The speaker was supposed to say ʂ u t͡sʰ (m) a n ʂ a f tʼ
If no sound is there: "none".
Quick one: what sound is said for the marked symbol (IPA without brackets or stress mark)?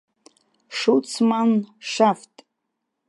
m